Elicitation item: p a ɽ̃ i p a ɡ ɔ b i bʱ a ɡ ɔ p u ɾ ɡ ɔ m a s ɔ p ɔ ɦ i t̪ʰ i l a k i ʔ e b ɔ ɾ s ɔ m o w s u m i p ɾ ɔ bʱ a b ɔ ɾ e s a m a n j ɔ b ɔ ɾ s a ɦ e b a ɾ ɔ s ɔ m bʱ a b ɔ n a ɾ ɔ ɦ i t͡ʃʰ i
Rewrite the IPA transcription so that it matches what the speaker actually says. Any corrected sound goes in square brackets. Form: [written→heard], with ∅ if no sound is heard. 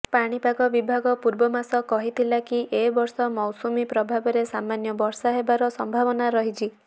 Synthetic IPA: p a ɽ̃ i p a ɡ ɔ b i bʱ a ɡ ɔ p u ɾ [ɡ→b] ɔ m a s ɔ [p→k] ɔ ɦ i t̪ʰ i l a k i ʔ e b ɔ ɾ s ɔ m [o→ɔ] w s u m i p ɾ ɔ bʱ a b ɔ ɾ e s a m a n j ɔ b ɔ ɾ s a ɦ e b a ɾ ɔ s ɔ m bʱ a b ɔ n a ɾ ɔ ɦ i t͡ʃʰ i